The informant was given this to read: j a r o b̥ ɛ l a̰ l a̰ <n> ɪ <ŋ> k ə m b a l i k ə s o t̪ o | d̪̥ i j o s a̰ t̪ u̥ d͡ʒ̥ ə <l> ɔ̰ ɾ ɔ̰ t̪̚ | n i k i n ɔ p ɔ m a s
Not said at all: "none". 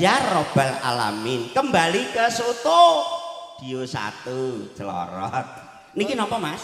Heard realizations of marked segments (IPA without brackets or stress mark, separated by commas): m, n, l